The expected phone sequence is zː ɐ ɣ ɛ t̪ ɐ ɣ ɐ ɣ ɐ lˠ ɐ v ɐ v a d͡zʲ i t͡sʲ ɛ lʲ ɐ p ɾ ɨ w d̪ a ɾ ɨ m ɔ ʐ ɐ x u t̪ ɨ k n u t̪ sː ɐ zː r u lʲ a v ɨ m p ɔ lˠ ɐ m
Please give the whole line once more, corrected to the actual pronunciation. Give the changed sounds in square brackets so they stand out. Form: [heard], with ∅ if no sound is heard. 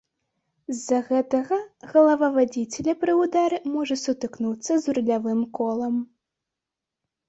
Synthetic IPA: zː ɐ ɣ ɛ t̪ ɐ ɣ ɐ ɣ ɐ lˠ ɐ v ɐ v a d͡zʲ i t͡sʲ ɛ lʲ ɐ p ɾ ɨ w d̪ a ɾ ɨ m ɔ ʐ ɐ [s] u t̪ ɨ k n u t̪ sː ɐ [z] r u lʲ a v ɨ m [k] ɔ lˠ ɐ m